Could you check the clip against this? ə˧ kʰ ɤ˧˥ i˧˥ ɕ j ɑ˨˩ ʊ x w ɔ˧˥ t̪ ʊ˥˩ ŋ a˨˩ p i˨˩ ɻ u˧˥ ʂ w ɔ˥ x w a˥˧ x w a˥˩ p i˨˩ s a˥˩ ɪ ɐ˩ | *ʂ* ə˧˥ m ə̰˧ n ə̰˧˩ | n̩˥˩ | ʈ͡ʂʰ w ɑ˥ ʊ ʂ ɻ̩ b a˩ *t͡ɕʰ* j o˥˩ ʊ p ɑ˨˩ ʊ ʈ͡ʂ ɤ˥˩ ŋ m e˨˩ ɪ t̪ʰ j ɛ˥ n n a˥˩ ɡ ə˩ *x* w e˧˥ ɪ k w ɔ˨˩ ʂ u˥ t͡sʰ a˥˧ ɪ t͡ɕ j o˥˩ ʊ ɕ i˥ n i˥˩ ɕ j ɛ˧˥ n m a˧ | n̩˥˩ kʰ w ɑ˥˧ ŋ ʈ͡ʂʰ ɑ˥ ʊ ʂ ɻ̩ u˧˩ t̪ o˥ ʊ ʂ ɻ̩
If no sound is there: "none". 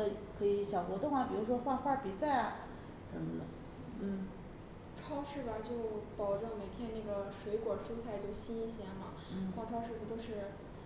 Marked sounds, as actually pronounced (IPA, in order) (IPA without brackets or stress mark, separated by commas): ʂ, t͡ɕ, ʂ